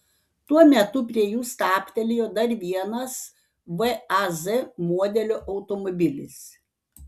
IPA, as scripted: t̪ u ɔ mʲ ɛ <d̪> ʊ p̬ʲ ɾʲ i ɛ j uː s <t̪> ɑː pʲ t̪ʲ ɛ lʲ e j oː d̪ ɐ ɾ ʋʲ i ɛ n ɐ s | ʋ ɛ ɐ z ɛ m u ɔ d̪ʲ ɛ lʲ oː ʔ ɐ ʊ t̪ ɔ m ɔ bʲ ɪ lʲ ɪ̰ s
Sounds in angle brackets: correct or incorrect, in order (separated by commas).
incorrect, correct